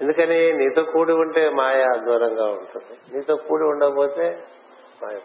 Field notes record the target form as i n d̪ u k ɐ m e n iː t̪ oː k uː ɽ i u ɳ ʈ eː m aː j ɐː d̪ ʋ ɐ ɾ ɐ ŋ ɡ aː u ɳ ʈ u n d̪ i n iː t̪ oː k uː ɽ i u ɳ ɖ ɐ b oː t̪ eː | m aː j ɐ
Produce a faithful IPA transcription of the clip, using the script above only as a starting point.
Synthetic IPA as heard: e n d̪ u k ɐ n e n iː t̪ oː k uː ɽ i u ɳ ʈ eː m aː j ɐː d̪ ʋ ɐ ɾ ɐ ŋ ɡ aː u ɳ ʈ u n d̪ i n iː t̪ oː k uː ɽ i u ɳ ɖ ɐ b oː t̪ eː | m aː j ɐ